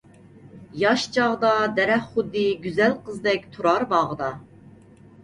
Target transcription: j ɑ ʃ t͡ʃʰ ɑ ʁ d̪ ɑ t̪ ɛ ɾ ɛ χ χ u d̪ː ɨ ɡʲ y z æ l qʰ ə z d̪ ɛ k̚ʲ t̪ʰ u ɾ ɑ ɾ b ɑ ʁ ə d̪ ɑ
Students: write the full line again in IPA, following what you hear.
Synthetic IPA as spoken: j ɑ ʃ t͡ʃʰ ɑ ʁ d̪ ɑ d̪ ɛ ɾ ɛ χ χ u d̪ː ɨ ɡʲ y z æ l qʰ ə z d̪ ɛ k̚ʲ t̪ʰ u ɾ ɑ ɾ b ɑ ʁ ə d̪ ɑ